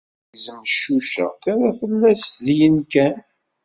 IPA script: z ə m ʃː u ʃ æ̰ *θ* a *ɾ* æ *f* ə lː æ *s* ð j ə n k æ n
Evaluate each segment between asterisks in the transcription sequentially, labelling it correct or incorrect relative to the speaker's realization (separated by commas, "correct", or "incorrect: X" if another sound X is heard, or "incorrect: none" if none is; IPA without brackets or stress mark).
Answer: correct, correct, correct, correct